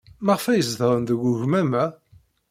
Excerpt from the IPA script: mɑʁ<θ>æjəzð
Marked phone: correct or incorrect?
incorrect